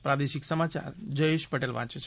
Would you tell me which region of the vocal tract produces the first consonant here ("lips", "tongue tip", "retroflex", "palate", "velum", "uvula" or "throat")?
lips